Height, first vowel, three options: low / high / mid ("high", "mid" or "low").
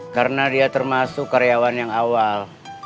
low